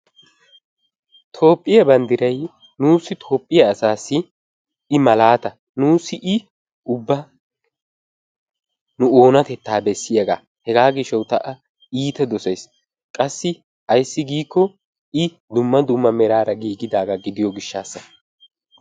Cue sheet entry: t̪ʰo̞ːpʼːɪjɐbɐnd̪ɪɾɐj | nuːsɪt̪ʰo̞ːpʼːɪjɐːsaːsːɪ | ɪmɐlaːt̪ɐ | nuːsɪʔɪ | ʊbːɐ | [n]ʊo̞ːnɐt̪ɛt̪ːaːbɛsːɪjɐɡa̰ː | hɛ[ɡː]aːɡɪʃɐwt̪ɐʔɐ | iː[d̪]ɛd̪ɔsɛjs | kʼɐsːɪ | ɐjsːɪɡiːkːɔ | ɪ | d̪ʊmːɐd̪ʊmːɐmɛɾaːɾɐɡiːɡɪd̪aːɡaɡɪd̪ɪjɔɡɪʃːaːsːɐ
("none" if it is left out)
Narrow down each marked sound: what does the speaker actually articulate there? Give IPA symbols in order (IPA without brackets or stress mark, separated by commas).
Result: n, ɡ, t̪